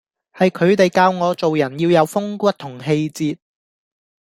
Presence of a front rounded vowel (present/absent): absent